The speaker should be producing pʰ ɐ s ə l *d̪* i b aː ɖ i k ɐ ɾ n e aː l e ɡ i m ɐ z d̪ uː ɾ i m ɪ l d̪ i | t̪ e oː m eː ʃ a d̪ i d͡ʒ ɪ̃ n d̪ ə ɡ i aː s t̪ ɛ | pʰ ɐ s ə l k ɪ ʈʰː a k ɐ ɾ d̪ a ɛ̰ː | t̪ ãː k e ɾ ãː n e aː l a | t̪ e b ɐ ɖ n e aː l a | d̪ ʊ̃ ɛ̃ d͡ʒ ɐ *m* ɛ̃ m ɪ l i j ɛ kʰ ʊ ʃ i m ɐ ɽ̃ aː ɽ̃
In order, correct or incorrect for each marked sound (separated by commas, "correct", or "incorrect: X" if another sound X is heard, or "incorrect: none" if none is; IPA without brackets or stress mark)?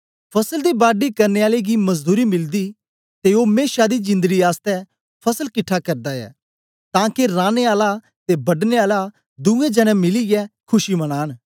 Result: correct, incorrect: n